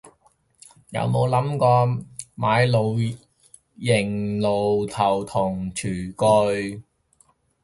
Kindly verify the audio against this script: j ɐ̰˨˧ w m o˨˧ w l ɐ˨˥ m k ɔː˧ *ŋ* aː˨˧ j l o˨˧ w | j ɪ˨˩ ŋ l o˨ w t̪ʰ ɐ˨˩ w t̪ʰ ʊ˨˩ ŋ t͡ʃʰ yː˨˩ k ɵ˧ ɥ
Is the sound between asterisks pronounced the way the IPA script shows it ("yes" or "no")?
no